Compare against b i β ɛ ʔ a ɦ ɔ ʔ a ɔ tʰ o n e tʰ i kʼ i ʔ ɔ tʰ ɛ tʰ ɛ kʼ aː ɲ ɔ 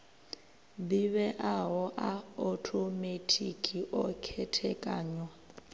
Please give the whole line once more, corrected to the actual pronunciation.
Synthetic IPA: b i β ɛ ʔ a ɦ ɔ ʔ a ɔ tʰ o m e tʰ i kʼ i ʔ ɔ kʰ ɛ tʰ ɛ kʼ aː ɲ ɔ